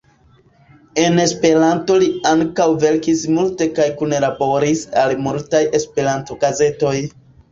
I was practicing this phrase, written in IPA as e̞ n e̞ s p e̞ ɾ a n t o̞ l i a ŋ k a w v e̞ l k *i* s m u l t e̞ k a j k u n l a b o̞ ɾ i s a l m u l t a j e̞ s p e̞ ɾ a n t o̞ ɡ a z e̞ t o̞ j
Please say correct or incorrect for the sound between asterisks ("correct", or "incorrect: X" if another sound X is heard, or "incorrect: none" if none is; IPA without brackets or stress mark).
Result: correct